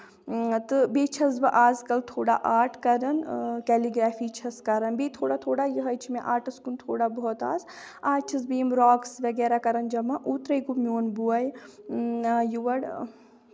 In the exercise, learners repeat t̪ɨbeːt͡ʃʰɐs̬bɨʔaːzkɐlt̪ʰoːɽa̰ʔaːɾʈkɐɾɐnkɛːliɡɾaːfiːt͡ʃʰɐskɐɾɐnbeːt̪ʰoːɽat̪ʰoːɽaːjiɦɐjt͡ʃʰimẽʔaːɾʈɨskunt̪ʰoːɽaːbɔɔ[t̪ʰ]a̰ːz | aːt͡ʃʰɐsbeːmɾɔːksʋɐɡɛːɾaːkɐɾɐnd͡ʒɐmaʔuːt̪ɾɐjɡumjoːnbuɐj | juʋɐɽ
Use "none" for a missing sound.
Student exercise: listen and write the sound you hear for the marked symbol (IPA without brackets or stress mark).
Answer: t̪